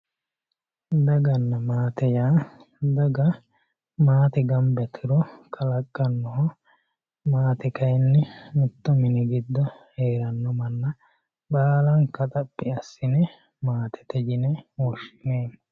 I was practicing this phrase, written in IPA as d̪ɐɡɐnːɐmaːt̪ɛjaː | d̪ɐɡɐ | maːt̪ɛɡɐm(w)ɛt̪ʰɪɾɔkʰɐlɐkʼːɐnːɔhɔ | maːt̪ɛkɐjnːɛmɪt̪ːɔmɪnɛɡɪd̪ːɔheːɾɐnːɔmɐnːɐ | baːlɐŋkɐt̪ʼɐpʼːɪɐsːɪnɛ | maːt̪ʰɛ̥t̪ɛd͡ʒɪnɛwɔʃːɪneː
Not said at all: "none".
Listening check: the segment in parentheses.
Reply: b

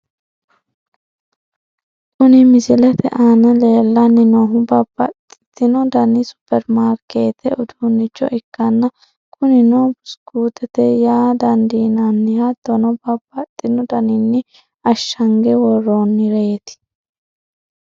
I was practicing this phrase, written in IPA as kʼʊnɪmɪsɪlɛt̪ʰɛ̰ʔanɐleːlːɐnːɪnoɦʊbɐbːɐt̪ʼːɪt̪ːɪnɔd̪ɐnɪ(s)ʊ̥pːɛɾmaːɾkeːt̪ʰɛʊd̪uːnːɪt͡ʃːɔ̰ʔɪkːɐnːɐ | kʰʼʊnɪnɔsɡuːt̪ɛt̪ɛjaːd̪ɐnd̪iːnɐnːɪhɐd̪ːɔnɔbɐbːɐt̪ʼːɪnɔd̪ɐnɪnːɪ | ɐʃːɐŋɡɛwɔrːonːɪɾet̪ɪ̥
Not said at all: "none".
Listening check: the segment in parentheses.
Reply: s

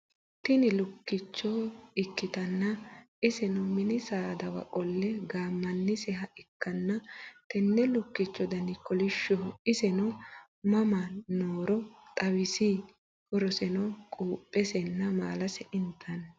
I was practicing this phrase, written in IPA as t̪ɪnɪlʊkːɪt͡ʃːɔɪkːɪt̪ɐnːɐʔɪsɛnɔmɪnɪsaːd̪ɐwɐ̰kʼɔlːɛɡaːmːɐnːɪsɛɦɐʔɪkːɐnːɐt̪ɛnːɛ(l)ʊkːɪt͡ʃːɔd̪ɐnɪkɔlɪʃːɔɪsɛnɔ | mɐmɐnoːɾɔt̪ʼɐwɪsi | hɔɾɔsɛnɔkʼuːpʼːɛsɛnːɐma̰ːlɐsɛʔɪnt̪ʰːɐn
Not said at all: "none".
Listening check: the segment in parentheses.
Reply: l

